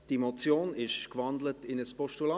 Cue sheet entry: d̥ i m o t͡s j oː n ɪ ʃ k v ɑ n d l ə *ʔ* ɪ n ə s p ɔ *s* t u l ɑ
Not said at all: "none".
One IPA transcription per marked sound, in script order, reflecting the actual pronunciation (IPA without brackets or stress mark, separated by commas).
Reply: t, ʃ